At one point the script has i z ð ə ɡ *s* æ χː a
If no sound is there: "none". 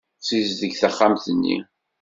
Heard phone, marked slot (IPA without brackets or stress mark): θ